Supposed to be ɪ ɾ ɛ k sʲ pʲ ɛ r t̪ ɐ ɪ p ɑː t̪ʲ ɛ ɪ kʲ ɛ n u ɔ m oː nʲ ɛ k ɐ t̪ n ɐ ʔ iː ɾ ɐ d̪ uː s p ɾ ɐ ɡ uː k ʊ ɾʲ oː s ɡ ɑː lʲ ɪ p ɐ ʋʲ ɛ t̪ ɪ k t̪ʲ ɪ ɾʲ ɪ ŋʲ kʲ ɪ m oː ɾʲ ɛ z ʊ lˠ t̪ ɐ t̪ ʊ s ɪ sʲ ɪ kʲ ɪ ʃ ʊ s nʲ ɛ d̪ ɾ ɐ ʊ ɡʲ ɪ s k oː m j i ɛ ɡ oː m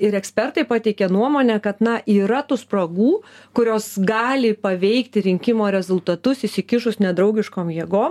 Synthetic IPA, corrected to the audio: ɪ ɾ ɛ k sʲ pʲ ɛ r t̪ ɐ ɪ p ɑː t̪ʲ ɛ ɪ kʲ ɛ n u ɔ m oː nʲ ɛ k ɐ t̪ n ɐ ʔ iː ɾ ɐ t̪ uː s p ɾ ɐ ɡ uː k ʊ ɾʲ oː s ɡ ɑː lʲ ɪ p ɐ ʋʲ ɛ ɪ k t̪ʲ ɪ ɾʲ ɪ ŋʲ kʲ ɪ m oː ɾʲ ɛ z ʊ lˠ t̪ ɐ t̪ ʊ s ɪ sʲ ɪ kʲ ɪ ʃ ʊ s nʲ ɛ d̪ ɾ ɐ ʊ ɡʲ ɪ ʃ k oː m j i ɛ ɡ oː m